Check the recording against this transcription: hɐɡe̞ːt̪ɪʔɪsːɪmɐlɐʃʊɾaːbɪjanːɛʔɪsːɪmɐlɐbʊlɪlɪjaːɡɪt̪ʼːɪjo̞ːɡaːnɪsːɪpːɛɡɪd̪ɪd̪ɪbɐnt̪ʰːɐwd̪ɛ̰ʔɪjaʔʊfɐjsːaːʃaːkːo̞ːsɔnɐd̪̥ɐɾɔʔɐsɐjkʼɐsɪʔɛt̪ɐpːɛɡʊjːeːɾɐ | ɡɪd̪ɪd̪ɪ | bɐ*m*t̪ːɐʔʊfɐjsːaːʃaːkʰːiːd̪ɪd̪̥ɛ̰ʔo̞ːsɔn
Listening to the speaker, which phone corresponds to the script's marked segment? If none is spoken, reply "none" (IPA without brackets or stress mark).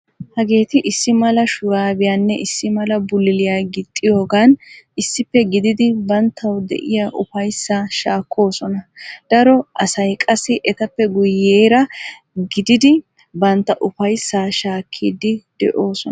n